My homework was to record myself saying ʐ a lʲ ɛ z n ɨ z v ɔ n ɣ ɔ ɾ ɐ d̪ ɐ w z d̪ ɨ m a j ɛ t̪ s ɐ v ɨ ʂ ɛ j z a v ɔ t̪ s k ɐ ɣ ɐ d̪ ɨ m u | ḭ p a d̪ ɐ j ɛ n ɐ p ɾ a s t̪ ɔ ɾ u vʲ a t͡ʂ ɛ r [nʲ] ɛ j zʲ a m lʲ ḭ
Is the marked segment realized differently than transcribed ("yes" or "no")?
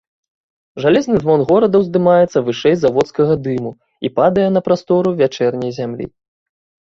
no